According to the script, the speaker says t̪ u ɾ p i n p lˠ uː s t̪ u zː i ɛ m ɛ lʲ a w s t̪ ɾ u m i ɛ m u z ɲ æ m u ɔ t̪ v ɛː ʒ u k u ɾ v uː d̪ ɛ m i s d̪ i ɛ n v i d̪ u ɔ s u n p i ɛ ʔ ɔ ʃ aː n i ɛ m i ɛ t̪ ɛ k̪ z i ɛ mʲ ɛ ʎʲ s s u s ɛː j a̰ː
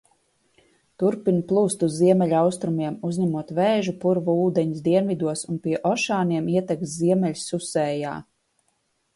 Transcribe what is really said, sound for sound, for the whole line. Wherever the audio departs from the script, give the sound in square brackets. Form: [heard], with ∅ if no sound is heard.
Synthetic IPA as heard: t̪ u ɾ p i n p lˠ uː s t̪ u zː i ɛ m ɛ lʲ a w s t̪ ɾ u m i ɛ m u z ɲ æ m u ɔ t̪ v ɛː ʒ u [p] u ɾ v uː d̪ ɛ [ɲ] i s d̪ i ɛ n v i d̪ u ɔ s u n p i ɛ ʔ ɔ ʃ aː n i ɛ m i ɛ t̪ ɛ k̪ z i ɛ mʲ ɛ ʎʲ s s u s ɛː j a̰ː